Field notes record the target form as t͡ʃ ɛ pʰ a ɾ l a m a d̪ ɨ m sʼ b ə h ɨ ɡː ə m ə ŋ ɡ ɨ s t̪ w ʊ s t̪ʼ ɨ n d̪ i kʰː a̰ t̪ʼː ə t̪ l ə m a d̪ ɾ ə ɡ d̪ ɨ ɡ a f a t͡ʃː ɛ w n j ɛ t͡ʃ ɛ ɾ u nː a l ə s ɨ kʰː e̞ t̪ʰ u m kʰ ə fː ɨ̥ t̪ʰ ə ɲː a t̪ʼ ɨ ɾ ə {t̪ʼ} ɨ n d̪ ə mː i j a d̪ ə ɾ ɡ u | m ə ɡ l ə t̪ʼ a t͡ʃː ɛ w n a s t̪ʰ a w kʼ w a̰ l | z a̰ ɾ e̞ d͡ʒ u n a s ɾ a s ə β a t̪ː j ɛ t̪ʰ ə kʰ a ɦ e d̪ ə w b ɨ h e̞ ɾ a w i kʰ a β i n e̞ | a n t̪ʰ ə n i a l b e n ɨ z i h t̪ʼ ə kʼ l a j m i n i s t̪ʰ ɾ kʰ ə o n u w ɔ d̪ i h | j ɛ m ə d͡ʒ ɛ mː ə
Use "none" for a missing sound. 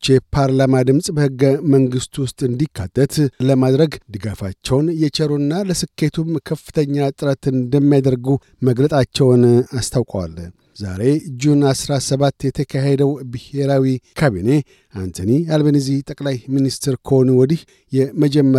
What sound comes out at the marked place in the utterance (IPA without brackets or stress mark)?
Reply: t̪